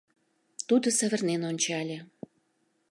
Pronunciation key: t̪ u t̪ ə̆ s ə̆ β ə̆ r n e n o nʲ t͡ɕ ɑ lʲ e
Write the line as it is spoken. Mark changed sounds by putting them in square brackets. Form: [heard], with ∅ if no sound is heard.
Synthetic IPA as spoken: t̪ u [d̪] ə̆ s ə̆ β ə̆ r n e n o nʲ t͡ɕ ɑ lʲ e